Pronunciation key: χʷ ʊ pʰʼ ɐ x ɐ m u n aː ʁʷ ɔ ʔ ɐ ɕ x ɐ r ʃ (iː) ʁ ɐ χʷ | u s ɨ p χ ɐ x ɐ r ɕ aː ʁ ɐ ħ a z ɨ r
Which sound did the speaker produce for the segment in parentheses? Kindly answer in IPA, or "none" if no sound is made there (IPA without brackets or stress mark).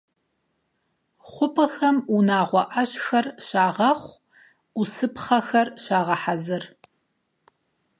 aː